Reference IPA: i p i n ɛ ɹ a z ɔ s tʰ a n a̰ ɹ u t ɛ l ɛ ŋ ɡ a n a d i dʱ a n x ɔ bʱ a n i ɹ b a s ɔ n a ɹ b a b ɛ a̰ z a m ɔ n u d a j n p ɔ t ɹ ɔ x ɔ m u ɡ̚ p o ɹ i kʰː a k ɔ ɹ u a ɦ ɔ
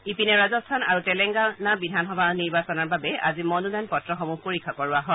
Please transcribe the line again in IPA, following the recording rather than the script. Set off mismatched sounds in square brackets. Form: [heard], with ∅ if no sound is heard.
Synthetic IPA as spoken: i p i n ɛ ɹ a z ɔ s tʰ a n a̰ ɹ u t ɛ l ɛ ŋ ɡ a n a [b] i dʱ a n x ɔ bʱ a n i ɹ b a s ɔ n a ɹ b a b ɛ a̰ z [i] m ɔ n u d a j n p ɔ t ɹ ɔ x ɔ m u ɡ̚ p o ɹ i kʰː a k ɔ ɹ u a ɦ ɔ